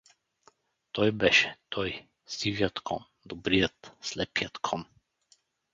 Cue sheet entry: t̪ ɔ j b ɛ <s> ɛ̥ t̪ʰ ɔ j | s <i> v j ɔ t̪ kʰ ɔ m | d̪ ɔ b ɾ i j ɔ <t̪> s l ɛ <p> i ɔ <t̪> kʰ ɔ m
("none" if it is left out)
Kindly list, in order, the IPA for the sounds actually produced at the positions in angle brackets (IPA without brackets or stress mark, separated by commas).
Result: ʃ, i, t̪, p, t̪